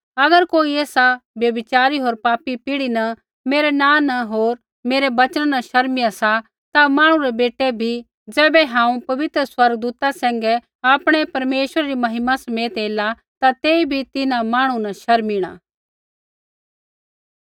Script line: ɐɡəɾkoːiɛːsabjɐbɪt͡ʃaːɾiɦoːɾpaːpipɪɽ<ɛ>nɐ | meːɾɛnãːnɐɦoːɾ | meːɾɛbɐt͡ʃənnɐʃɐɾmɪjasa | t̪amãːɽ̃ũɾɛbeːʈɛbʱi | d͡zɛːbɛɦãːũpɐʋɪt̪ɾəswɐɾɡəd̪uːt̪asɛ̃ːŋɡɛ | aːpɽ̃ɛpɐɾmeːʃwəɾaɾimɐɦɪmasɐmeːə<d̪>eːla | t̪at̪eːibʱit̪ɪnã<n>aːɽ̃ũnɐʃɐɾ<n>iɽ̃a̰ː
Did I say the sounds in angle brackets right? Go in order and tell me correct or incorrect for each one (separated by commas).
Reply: incorrect, incorrect, incorrect, incorrect